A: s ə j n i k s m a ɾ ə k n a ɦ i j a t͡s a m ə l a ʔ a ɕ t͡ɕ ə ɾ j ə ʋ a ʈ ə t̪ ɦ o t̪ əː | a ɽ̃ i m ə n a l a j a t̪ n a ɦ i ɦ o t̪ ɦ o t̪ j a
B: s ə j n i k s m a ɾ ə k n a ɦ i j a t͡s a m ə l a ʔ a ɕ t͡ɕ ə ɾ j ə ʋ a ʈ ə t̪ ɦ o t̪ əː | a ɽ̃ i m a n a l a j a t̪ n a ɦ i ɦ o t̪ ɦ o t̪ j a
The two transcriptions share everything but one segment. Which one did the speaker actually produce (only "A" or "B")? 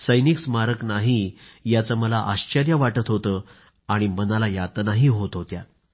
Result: A